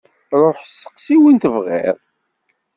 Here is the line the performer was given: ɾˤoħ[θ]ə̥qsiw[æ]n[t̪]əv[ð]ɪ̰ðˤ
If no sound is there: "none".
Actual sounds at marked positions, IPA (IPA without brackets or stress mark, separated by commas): s, i, t̪, ʁ